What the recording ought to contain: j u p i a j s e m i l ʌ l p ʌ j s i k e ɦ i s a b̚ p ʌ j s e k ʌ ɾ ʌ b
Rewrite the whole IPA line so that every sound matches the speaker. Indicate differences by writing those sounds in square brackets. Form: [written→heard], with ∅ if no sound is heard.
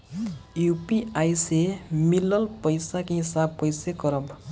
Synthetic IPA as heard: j u p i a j s e m i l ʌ l p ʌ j s [i→a] k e ɦ i s a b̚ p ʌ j s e k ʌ ɾ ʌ b